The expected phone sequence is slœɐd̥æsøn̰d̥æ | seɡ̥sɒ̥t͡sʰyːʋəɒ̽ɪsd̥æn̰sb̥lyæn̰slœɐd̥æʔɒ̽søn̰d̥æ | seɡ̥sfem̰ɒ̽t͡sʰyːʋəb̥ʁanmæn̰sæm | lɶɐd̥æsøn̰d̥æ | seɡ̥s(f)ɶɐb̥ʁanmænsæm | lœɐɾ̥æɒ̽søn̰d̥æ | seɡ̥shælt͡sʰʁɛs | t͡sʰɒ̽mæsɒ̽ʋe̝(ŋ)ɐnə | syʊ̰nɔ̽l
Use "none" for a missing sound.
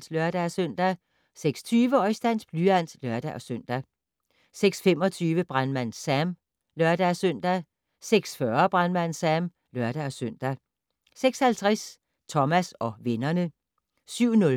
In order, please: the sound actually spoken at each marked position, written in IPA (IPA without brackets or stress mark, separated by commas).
f, n